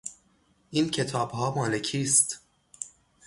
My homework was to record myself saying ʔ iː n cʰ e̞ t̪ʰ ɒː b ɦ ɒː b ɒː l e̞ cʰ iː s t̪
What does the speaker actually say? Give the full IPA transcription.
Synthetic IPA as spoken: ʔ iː n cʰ e̞ t̪ʰ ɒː b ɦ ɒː m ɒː l e̞ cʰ iː s t̪